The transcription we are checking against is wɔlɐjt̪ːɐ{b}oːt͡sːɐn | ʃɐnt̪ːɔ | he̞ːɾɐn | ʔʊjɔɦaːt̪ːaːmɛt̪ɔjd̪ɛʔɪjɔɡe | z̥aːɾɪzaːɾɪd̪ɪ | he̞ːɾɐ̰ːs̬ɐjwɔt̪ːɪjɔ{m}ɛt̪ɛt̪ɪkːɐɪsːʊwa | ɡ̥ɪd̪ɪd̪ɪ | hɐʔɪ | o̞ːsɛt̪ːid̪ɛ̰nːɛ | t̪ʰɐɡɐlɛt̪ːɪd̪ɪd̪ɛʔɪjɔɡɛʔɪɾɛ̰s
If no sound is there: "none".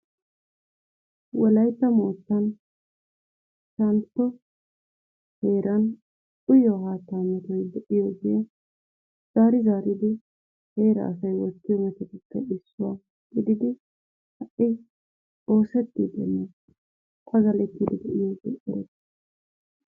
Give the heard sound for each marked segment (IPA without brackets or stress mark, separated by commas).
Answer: m, m